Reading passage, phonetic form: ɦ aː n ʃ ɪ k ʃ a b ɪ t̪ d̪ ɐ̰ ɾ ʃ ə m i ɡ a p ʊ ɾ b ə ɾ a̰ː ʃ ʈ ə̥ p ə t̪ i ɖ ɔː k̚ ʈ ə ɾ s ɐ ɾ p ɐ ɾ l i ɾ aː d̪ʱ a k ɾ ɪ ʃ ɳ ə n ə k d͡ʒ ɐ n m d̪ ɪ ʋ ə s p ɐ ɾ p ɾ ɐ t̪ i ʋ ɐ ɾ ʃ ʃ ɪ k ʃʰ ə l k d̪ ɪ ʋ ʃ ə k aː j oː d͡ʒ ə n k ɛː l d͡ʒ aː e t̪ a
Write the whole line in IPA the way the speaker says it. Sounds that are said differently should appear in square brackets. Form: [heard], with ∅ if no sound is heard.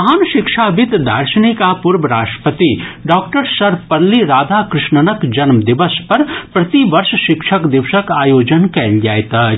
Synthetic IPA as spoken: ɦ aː n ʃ ɪ k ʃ a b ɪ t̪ d̪ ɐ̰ ɾ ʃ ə [n] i [k] a p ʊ ɾ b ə ɾ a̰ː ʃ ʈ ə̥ p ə t̪ i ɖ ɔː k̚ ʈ ə ɾ s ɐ ɾ p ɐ ɾ l i ɾ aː d̪ʱ a k ɾ ɪ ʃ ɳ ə n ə k d͡ʒ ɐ n m d̪ ɪ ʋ ə s p ɐ ɾ p ɾ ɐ t̪ i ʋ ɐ ɾ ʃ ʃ ɪ k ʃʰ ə [∅] k d̪ ɪ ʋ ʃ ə k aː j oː d͡ʒ ə n k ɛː l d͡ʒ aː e t̪ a

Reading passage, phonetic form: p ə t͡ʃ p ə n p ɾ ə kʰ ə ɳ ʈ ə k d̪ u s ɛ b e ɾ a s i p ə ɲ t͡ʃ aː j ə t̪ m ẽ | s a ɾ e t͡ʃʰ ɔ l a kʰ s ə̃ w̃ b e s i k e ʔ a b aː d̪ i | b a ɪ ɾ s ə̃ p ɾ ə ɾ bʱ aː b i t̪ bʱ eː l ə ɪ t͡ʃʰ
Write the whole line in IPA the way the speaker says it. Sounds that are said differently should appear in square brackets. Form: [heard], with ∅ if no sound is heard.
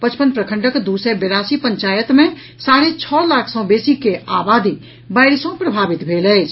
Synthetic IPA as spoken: p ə t͡ʃ p ə n p ɾ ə kʰ ə ɳ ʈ ə k d̪ u s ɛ b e ɾ a s i p ə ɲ t͡ʃ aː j ə t̪ m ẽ | s a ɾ e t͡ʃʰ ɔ l a kʰ s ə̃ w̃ b e s i k e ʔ a b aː d̪ i | b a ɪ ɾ s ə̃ p ɾ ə [∅] bʱ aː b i t̪ bʱ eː l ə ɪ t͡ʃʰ

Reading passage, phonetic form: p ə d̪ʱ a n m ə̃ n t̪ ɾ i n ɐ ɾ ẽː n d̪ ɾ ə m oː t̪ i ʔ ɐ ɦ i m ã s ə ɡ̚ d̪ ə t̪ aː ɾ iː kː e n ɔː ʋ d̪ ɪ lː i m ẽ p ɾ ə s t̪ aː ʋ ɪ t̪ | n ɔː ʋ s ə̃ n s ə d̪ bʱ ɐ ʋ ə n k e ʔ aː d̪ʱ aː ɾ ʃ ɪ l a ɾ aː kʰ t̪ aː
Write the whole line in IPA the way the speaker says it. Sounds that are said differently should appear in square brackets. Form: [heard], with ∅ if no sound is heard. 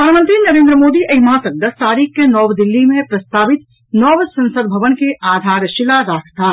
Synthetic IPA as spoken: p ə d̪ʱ a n m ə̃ n t̪ ɾ i n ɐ ɾ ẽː n d̪ ɾ ə m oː [d̪] i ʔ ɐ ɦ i m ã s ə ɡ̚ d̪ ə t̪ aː ɾ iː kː e n ɔː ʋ d̪ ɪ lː i m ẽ p ɾ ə s t̪ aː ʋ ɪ t̪ | n ɔː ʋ s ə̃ n s ə d̪ bʱ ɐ ʋ ə n k e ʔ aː d̪ʱ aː ɾ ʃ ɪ l a ɾ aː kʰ t̪ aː

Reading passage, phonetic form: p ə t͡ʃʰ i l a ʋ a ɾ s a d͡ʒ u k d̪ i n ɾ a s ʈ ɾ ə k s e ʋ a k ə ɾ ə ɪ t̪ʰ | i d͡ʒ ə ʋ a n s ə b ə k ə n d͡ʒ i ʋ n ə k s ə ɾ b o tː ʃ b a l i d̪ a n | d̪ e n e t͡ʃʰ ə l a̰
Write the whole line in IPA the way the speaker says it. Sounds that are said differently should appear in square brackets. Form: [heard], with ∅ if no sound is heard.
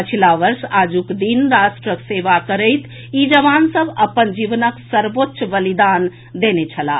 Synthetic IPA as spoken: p ə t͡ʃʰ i l a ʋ [ə] ɾ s a d͡ʒ u k d̪ i n ɾ a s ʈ ɾ ə k s e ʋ a k ə ɾ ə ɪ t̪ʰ | i d͡ʒ ə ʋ a n s ə b ə [p] ə n d͡ʒ i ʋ n ə k s ə ɾ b o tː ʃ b [ə] l i d̪ a n | d̪ e n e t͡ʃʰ ə l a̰

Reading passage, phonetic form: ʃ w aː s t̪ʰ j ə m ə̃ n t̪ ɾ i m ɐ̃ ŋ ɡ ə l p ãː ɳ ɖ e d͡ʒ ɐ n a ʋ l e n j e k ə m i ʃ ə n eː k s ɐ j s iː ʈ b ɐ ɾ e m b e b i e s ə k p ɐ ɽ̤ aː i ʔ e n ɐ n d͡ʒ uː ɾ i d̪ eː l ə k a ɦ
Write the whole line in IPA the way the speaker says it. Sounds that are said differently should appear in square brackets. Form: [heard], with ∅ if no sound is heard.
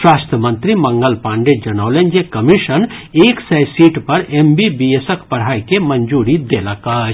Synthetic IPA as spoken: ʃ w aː s t̪ʰ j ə m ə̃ n t̪ ɾ i m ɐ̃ ŋ ɡ ə l p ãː ɳ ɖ e d͡ʒ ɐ n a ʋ l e n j e k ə m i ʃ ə n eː k s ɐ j s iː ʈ [p] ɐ ɾ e m b [i] b i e s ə k p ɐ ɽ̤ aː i [k] e [m] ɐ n d͡ʒ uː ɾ i d̪ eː l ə k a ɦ

